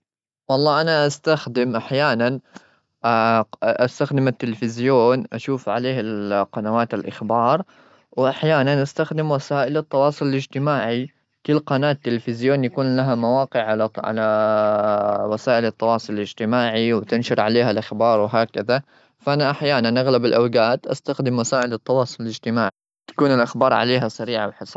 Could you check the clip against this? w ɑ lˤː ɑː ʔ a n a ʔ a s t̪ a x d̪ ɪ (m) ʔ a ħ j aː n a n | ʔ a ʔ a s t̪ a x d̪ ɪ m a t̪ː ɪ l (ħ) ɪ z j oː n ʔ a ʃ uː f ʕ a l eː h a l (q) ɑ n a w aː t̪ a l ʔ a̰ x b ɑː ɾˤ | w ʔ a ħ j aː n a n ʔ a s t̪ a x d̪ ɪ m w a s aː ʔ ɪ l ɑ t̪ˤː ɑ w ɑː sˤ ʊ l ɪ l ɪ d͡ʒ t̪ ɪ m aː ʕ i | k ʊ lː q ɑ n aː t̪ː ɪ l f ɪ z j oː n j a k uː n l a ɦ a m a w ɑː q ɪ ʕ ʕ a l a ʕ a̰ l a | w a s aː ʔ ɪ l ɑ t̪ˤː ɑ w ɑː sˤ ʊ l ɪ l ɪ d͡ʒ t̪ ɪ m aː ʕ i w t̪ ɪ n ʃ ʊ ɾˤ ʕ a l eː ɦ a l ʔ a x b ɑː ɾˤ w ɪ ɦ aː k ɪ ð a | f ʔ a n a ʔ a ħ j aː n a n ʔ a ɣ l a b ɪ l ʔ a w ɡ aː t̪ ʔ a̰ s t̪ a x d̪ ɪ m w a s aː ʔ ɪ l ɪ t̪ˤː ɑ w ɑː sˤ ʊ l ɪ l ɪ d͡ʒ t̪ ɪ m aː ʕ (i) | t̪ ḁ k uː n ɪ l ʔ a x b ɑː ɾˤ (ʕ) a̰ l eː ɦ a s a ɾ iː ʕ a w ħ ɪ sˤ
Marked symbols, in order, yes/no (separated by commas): yes, no, yes, yes, yes